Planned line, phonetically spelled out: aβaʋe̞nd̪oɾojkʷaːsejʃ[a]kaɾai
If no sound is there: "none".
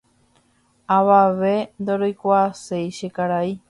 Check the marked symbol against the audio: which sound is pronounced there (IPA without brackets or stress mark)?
e